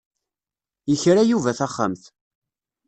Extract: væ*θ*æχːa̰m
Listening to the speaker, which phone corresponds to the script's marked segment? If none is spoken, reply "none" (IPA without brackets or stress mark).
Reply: θ